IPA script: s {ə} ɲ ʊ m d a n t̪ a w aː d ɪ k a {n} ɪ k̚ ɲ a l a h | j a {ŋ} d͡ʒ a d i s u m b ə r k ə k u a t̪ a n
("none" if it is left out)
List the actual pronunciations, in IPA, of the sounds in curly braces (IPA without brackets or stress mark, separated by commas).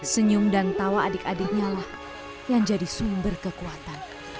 ə, d, ŋ